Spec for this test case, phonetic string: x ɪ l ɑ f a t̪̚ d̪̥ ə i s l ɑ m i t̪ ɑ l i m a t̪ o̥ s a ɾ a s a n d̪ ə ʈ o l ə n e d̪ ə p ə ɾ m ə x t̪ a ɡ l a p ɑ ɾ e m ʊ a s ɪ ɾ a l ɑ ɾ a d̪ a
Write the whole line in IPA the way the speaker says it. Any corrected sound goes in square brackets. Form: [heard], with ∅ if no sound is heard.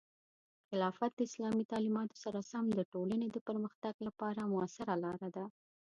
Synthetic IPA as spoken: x ɪ l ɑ f a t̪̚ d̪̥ ə [ɪ] s l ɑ m i t̪ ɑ l i m [ɑ] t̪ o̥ s a ɾ a s a [m] d̪ ə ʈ o l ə n e d̪ ə p ə ɾ m ə x t̪ a ɡ l a p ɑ ɾ [a] m ʊ a s ɪ ɾ a l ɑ ɾ a d̪ a

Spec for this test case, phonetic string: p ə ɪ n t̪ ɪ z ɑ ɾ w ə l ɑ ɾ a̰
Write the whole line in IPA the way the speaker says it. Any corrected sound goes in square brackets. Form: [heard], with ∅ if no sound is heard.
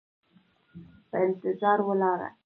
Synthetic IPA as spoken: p ə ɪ n t̪ ɪ z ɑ ɾ w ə l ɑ ɾ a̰

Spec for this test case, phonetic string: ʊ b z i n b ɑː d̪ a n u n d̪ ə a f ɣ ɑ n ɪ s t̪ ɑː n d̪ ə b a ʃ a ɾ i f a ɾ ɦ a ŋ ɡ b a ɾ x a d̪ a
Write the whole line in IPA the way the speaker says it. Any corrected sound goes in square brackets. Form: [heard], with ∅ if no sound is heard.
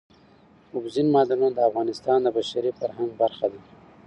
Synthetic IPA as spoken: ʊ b z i n [m] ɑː d̪ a n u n d̪ ə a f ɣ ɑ n ɪ s t̪ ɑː n d̪ ə b a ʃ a ɾ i f a ɾ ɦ a ŋ ɡ b a ɾ x a d̪ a

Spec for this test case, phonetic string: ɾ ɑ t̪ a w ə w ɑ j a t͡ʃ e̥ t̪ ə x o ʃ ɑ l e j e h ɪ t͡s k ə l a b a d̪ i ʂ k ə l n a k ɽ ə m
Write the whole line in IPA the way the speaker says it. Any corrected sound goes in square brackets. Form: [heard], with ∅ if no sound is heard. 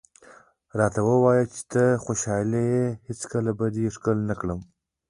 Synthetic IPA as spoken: ɾ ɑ t̪ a w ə w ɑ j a t͡ʃ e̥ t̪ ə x o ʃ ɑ l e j e h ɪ t͡s k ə l a b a d̪ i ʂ k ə l n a k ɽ ə m

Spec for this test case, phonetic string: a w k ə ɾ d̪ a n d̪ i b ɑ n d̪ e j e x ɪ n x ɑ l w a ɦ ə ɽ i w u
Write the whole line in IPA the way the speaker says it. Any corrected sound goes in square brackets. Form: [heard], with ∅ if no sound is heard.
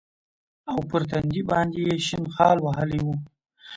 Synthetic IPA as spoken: a w [p] ə ɾ [t̪] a n d̪ i b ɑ n d̪ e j e [ʃ] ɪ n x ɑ l w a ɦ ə [l] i w u

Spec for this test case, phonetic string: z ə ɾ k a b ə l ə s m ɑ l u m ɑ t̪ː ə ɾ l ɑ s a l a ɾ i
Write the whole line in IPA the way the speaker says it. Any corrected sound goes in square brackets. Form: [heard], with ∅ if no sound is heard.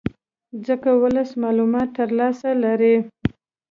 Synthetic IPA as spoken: z ə [∅] k a [w] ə l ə s m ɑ l u m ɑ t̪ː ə ɾ l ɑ s a l a ɾ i

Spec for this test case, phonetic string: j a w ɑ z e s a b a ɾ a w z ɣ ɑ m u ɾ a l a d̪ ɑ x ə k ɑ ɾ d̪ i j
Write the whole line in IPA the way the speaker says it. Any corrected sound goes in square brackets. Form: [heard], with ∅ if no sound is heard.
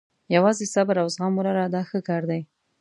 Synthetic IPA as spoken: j a w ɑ z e s a b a ɾ a w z ɣ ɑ m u ɾ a [ɾ] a d̪ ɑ x ə k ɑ ɾ d̪ [a] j

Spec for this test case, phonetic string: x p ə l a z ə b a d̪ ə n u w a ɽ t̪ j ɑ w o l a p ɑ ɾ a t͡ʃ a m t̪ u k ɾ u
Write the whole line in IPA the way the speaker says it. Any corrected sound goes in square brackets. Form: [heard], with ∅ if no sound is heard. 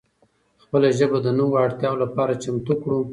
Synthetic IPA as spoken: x p ə l a [ʒ] ə b a d̪ ə n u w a ɽ t̪ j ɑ w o l a p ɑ ɾ a t͡ʃ a m t̪ u k [ɽ] u

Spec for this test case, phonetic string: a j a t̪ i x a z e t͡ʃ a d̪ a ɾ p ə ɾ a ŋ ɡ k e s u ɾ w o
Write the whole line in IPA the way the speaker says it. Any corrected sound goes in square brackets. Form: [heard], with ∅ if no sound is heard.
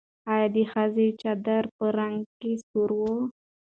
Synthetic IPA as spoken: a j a [d̪] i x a z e t͡ʃ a d̪ a ɾ p ə ɾ a ŋ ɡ k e s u ɾ w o

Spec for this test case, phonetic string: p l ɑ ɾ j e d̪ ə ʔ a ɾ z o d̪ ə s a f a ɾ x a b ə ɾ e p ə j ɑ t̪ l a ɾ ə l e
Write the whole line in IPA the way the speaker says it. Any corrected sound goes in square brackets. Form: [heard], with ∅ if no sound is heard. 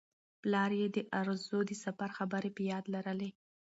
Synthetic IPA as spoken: p l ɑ ɾ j e d̪ ə ʔ a ɾ z o d̪ ə s a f a ɾ x a b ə ɾ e p ə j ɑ [d̪] l a ɾ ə l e

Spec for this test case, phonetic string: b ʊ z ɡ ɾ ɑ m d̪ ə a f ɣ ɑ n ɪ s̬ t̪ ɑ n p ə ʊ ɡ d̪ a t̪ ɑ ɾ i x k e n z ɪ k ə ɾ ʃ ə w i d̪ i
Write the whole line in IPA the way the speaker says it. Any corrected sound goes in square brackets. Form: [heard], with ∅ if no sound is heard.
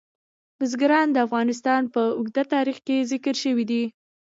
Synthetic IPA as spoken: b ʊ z ɡ ɾ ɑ [n] d̪ ə a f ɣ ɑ n ɪ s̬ t̪ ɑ n p ə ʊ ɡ d̪ a t̪ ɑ ɾ i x k e [∅] z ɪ k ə ɾ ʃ ə w i d̪ i

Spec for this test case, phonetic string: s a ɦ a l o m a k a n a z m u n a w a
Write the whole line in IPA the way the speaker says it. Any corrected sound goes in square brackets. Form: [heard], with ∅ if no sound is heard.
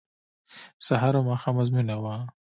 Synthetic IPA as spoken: s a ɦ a [ɾ] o m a [x] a [m] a z m u n a w a

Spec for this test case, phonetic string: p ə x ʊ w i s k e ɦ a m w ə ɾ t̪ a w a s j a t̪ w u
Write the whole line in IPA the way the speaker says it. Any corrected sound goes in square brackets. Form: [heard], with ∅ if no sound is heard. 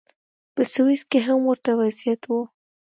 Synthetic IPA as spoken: p ə [s] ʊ w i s k e ɦ a m w ə ɾ t̪ a w a [z] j a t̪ w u

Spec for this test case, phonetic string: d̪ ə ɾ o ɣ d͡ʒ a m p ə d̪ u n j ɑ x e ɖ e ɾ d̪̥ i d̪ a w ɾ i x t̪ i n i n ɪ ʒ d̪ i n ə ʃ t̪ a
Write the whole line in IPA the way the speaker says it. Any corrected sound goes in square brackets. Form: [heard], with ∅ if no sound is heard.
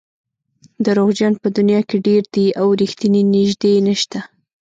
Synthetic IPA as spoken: d̪ ə ɾ o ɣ d͡ʒ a [n] p ə d̪ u n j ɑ [k] e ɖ e ɾ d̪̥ i [∅] a w ɾ i x t̪ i n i n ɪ ʒ d̪ [e] n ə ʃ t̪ a

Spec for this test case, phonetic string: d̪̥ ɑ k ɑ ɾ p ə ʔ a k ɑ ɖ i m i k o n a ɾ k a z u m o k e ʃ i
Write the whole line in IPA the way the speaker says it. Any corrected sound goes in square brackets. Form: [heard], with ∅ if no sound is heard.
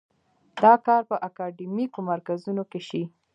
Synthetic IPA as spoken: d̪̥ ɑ k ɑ ɾ p ə ʔ a k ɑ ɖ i m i k o [m] a ɾ k a z u [n] o k e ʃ i

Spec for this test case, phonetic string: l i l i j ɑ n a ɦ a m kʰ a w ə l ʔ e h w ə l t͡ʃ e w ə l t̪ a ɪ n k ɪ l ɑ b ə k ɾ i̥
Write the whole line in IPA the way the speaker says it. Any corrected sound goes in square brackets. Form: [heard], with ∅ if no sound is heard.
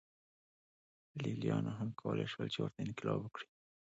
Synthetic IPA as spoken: l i l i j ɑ n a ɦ a m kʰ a w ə l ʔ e [ʃ] w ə l t͡ʃ e w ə [ɾ] t̪ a ɪ n k ɪ l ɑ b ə k [ɽ] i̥

